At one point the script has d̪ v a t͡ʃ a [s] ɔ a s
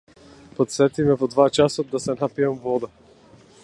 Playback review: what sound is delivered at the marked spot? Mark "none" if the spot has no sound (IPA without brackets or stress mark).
s